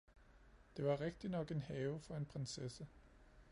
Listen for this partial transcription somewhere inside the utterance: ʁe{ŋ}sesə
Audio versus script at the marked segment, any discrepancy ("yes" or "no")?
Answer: yes